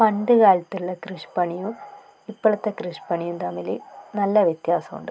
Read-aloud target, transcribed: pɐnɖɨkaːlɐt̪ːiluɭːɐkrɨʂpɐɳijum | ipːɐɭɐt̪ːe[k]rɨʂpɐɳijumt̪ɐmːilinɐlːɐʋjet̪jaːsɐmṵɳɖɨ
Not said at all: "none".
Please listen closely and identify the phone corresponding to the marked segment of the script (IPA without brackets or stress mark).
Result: k